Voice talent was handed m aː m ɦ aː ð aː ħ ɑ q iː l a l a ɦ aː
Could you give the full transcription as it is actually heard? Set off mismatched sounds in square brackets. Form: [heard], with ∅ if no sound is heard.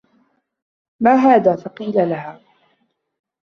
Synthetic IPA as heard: m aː [∅] ɦ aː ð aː [f] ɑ q iː l a l a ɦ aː